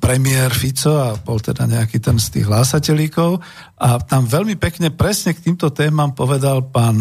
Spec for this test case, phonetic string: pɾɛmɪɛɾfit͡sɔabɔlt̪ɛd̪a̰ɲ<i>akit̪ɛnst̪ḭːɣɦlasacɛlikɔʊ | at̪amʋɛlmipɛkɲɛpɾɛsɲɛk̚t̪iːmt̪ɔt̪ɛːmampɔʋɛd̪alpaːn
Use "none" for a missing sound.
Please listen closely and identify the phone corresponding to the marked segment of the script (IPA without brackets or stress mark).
ɛ